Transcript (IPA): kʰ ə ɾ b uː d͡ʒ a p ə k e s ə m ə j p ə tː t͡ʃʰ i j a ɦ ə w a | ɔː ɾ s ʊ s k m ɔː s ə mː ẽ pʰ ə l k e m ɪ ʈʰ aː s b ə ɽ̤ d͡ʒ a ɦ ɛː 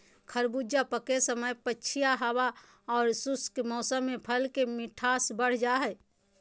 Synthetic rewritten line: kʰ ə ɾ b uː d͡ʒ a p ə k e s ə m ə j p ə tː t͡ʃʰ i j a ɦ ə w a | ɔː ɾ s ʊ s k m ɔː s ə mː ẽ pʰ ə l k e m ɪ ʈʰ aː s b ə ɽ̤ d͡ʒ a ɦ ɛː